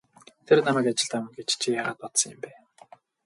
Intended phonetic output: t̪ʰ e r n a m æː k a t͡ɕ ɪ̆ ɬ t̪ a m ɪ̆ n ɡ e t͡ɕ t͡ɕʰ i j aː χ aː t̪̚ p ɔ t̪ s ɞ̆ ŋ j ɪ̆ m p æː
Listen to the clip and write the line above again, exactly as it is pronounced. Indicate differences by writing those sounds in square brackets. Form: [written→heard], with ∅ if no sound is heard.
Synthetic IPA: t̪ʰ e r n a m æː k a t͡ɕ ɪ̆ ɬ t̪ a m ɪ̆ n ɡ e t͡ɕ t͡ɕʰ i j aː [χ→ʁ] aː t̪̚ p ɔ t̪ s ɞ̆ ŋ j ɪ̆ m p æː